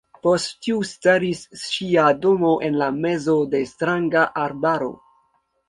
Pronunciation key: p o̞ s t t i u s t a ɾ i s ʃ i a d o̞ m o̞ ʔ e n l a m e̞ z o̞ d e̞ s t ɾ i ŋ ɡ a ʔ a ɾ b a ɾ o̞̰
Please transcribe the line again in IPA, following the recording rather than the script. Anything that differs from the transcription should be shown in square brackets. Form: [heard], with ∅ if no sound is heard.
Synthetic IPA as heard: p o̞ s t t i u s t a ɾ i s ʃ i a d o̞ m o̞ ʔ e n l a m e̞ z o̞ d e̞ s t ɾ [a] ŋ ɡ a ʔ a ɾ b a ɾ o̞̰